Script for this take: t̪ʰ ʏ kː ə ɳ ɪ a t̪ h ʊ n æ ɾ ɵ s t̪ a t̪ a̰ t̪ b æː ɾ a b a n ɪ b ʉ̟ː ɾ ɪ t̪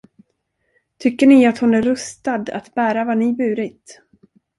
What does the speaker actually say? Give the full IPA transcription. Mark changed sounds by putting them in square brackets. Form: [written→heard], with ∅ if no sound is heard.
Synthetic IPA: t̪ʰ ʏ kː ə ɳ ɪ a t̪ h ʊ n æ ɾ ɵ s t̪ a [t̪→d̪] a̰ t̪ b æː ɾ a [b→v] a n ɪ b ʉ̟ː ɾ ɪ t̪